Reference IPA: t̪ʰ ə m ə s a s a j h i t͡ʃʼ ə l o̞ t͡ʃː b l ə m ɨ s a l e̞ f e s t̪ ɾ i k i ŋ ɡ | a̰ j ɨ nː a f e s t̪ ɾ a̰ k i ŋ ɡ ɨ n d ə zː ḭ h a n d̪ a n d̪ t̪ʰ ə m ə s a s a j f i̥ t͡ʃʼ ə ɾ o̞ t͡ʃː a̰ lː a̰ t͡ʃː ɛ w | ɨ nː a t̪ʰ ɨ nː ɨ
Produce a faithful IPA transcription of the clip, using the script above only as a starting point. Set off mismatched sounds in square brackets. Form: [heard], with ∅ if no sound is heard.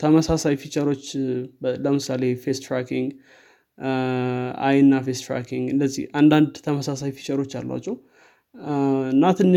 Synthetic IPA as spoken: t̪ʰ ə m ə s a s a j [f] i t͡ʃʼ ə [ɾ] o̞ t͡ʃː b l ə m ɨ s a l e̞ f e s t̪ ɾ [a] k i ŋ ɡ | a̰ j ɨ nː a f e s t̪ ɾ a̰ k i ŋ ɡ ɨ n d ə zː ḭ h a n d̪ a n d̪ t̪ʰ ə m ə s a s a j f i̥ t͡ʃʼ ə ɾ o̞ t͡ʃː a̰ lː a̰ t͡ʃː ɛ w | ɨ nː a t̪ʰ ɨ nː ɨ